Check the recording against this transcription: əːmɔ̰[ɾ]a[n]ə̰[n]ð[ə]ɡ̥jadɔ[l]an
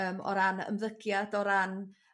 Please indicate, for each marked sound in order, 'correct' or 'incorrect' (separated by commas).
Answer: correct, correct, incorrect, correct, incorrect